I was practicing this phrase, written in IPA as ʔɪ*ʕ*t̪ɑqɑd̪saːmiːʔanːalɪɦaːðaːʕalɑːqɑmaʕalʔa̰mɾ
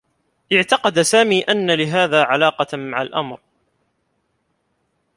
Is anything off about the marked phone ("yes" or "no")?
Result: no